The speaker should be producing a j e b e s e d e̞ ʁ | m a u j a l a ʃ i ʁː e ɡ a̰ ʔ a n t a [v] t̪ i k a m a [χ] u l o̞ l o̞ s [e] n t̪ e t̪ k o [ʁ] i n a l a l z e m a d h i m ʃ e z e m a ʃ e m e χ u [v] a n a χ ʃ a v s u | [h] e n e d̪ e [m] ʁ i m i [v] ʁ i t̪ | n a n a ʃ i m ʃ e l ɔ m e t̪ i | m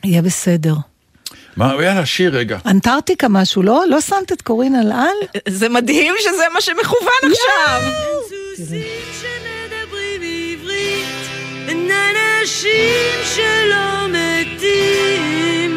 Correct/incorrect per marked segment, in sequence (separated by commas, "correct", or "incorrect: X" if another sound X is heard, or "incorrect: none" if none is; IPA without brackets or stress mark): incorrect: ʁ, incorrect: ʃ, incorrect: a, correct, correct, incorrect: ʃ, incorrect: b, correct